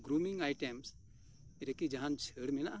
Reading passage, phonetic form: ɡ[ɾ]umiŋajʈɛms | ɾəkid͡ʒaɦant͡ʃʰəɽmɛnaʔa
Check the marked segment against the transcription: correct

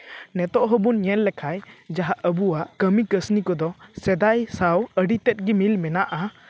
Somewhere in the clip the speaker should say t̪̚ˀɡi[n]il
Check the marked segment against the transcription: incorrect: m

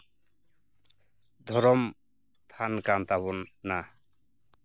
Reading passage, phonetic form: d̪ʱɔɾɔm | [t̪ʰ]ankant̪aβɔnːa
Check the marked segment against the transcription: correct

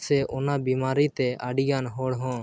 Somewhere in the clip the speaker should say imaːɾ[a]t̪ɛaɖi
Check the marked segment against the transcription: incorrect: i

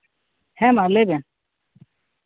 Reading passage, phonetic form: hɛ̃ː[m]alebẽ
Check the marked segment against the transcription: correct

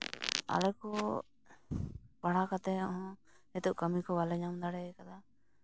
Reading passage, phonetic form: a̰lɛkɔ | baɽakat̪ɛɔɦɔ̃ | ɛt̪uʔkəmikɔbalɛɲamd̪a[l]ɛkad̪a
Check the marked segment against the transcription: incorrect: ɽ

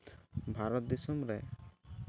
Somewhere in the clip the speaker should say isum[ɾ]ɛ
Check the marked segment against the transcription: correct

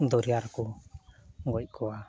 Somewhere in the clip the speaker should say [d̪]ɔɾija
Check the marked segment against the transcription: correct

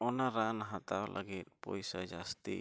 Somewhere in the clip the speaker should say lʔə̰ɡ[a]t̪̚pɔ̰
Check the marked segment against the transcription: incorrect: i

